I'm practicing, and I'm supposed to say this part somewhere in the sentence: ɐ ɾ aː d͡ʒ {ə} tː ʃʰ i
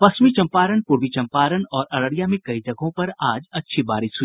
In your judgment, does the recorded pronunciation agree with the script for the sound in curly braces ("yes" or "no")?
no